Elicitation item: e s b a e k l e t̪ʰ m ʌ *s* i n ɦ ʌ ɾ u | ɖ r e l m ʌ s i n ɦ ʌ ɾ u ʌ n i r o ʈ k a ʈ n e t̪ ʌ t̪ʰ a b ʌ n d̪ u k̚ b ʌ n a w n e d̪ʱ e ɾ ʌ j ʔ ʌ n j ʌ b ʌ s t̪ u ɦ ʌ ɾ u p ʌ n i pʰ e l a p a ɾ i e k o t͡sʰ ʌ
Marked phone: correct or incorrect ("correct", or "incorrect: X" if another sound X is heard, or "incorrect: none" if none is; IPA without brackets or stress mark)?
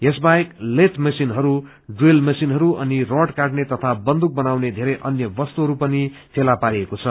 correct